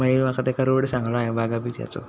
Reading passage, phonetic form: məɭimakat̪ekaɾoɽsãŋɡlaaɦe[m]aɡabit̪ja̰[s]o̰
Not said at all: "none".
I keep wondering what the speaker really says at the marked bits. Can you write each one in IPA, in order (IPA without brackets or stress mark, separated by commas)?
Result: b, t͡s